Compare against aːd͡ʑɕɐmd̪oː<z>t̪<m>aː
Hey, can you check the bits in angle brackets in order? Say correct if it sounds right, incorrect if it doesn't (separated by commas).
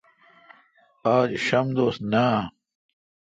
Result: incorrect, incorrect